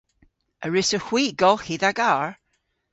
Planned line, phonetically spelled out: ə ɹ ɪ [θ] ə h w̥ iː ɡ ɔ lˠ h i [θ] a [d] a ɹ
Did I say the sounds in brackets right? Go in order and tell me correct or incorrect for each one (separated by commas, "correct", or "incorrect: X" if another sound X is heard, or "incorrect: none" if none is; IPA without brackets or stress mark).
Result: incorrect: s, incorrect: ð, incorrect: ɡ